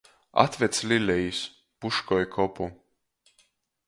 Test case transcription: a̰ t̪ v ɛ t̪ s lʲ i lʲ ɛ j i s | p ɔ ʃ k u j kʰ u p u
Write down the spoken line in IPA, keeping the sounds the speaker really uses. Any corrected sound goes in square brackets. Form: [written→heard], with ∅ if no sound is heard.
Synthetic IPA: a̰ t̪ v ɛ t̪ s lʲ i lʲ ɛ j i s | p [ɔ→u] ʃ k [u→ɔ] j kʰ [u→ɔ] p u